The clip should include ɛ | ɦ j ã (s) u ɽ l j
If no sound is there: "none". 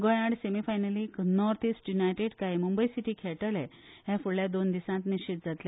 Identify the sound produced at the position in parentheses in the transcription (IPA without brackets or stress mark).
f